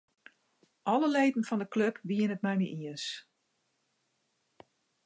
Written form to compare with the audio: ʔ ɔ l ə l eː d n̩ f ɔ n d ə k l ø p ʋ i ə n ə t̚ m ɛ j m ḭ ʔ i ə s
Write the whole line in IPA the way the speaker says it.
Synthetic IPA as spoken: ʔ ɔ l ə l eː d n̩ f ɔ n d ə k l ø p ʋ i ə n ə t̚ m ɛ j m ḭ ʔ i ə s